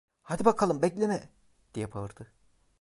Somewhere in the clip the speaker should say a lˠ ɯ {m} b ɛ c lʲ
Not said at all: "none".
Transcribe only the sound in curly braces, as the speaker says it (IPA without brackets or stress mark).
m